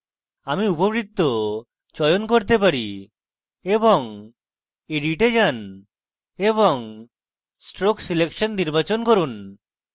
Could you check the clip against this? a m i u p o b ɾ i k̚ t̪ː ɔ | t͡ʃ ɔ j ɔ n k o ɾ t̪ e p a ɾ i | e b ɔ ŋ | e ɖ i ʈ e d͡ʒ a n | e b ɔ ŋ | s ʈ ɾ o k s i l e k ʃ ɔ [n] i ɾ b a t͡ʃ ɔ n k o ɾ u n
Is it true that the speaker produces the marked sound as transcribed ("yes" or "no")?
no